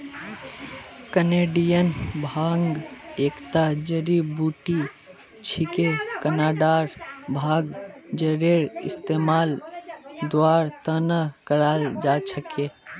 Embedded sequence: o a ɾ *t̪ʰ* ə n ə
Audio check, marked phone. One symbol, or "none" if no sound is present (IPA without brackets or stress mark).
t̪